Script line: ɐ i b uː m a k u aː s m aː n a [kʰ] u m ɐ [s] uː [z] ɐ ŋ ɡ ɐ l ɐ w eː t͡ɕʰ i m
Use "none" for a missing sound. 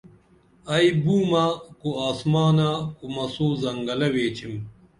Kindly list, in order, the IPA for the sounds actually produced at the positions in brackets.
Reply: k, s, z

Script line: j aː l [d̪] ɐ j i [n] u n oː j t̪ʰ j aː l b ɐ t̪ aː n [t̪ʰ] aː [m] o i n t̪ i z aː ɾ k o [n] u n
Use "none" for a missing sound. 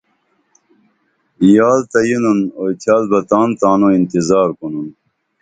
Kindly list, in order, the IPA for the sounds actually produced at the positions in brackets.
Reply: t̪, n, t̪, n, n

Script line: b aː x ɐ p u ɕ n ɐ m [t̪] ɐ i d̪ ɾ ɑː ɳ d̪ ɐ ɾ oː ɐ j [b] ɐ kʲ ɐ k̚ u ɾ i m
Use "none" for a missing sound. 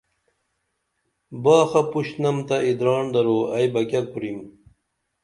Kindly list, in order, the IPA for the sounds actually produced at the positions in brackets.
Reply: t̪, b

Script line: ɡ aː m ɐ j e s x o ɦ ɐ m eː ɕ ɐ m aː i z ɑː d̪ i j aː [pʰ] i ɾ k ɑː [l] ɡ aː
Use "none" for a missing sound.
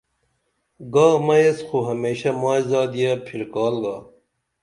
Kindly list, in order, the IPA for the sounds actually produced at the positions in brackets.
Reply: pʰ, l

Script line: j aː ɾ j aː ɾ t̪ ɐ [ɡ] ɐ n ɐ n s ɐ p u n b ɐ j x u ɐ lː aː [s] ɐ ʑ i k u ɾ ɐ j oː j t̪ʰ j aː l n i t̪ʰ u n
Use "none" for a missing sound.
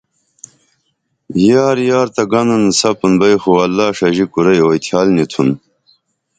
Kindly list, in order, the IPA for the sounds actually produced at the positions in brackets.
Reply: ɡ, ʂ

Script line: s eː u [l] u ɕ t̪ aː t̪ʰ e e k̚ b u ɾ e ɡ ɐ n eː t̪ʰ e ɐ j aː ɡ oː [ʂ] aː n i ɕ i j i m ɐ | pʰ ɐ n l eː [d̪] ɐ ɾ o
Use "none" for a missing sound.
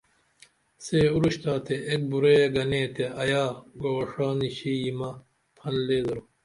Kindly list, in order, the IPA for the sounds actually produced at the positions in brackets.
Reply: ɾ, ʂ, d̪

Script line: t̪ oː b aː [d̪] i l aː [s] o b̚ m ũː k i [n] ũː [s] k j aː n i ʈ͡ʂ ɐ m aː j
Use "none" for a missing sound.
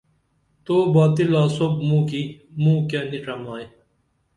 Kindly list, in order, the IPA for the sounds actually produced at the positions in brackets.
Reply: t̪, s, m, none

